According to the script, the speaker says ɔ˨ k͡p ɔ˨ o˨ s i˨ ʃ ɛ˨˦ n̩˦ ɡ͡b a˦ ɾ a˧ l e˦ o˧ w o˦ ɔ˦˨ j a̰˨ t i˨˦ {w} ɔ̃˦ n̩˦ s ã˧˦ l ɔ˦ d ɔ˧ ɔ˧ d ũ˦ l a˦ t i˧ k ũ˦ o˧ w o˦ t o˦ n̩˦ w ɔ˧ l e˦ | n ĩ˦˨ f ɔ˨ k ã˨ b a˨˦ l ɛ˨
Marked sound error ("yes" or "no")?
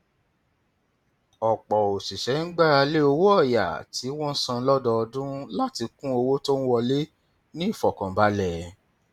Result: no